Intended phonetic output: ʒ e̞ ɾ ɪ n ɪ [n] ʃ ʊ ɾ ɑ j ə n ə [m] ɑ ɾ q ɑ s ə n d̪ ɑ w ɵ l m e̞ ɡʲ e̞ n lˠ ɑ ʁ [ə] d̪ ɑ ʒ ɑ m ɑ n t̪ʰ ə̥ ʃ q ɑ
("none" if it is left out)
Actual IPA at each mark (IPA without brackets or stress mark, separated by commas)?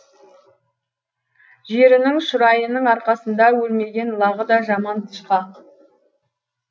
ŋ, ɴ, ə